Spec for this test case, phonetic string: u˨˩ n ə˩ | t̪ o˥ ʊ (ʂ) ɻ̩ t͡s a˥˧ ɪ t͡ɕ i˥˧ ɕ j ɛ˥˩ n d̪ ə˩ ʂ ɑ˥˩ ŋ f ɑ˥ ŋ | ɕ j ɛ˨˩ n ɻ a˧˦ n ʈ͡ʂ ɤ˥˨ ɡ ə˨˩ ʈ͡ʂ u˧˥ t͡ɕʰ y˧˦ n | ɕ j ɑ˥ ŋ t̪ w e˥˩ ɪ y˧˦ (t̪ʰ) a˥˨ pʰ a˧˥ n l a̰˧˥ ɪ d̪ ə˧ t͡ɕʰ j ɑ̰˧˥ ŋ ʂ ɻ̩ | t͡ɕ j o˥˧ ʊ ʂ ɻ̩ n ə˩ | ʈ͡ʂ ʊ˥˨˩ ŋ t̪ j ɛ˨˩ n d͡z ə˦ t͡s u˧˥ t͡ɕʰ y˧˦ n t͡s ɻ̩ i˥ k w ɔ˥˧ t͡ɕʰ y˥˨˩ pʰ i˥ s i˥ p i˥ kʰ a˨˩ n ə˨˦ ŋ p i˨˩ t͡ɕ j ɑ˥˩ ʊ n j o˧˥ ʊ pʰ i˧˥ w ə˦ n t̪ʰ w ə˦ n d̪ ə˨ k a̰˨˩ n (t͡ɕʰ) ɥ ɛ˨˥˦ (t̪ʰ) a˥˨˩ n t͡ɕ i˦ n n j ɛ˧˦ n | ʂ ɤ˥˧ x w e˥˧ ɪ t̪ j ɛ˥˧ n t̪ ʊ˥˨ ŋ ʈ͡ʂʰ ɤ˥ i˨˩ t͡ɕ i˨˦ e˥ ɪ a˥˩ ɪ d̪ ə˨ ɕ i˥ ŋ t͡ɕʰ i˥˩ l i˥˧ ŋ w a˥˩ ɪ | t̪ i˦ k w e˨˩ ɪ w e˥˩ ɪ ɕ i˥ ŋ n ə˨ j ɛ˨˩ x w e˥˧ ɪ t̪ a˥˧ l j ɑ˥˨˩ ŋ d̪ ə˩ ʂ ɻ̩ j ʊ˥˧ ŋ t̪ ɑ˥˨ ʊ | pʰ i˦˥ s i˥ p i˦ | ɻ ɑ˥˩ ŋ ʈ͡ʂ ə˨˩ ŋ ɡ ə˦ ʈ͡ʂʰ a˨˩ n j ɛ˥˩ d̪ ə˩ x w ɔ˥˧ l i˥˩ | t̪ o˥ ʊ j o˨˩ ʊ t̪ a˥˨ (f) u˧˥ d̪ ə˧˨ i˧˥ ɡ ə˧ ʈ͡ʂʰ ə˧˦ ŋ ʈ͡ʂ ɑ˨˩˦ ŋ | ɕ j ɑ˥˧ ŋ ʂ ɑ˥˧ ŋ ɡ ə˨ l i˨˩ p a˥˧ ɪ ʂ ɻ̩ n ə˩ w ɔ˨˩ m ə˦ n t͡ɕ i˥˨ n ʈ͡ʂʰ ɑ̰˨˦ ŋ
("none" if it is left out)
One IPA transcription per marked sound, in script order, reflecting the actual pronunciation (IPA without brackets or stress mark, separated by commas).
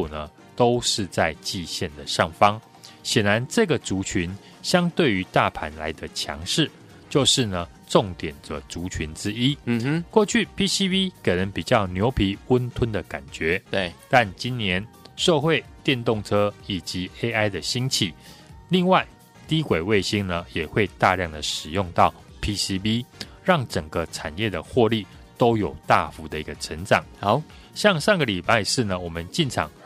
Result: ʂ, t̪, t͡ɕ, t̪, f